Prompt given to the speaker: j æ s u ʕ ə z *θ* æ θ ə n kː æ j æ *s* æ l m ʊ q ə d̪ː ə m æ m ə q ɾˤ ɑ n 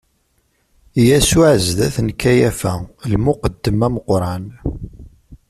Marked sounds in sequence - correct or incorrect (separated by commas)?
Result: incorrect, incorrect